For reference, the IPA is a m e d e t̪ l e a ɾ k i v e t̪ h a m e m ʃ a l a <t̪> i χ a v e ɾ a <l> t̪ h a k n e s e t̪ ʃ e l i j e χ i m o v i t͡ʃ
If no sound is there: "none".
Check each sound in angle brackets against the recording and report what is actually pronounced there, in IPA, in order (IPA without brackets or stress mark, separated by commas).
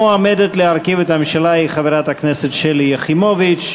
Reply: none, none